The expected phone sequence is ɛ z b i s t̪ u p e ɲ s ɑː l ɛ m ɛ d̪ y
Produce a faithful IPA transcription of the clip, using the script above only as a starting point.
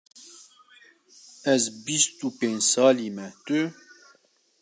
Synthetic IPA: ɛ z b i s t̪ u p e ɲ s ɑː l i m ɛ t̪ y

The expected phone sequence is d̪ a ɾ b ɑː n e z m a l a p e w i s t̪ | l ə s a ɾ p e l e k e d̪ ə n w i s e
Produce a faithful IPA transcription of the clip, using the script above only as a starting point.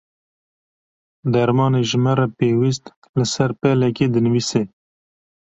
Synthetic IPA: d̪ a ɾ m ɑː n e ʒ m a ɾ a p e w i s t̪ | l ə s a ɾ p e l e k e d̪ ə n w i s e

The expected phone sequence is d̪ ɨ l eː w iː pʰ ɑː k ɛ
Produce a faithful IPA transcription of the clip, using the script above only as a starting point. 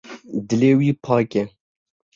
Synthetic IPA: d̪ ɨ l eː w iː pʰ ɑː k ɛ

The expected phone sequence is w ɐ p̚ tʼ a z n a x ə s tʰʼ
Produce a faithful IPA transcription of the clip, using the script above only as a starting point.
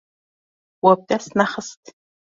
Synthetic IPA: w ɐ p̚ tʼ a s n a χ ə s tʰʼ

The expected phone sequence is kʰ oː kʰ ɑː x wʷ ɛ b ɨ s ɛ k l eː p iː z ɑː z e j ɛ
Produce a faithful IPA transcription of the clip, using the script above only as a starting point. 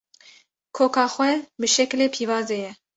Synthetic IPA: kʰ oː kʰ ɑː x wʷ ɛ b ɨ ʃ ɛ k l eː pʰ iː v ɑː z e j ɛ

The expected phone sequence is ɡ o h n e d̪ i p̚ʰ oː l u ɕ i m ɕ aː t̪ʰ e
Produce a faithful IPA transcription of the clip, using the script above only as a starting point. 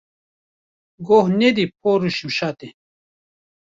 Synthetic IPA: ɡ o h n e d̪ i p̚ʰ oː ɾ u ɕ i m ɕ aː t̪ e

